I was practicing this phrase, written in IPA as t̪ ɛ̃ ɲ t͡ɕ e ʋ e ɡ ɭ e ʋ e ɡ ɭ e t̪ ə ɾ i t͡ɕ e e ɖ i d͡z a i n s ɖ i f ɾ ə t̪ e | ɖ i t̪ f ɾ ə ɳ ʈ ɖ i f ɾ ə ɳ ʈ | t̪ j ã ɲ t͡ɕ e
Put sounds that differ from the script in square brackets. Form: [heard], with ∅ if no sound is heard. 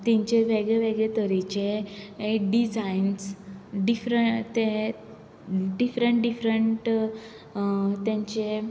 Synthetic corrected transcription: t̪ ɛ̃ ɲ t͡ɕ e ʋ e ɡ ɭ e ʋ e ɡ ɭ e t̪ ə ɾ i t͡ɕ e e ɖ i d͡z a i n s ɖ i f ɾ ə t̪ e | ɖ i [∅] f ɾ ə ɳ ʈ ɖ i f ɾ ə ɳ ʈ | t̪ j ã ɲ t͡ɕ e